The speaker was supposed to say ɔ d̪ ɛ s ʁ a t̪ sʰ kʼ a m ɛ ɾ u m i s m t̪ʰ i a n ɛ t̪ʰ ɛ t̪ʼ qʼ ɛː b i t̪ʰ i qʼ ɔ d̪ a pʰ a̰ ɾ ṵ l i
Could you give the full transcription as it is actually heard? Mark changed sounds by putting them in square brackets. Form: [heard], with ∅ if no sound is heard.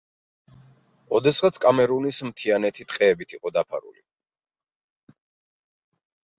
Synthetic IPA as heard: ɔ d̪ ɛ s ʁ a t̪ sʰ kʼ a m ɛ ɾ u [n] i s m t̪ʰ i a n ɛ t̪ʰ [i] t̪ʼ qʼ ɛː b i t̪ʰ i qʼ ɔ d̪ a pʰ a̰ ɾ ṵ l i